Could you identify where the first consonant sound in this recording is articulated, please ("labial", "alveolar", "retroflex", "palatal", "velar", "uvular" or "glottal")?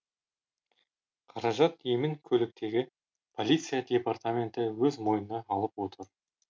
uvular